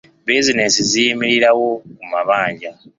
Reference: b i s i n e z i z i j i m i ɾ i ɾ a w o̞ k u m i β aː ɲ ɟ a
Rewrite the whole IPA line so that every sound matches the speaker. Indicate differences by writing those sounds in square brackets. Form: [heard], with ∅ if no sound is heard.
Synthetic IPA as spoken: b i [z] i n e [s] i z i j i m i ɾ i ɾ a w o̞ k u m [a] β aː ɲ ɟ a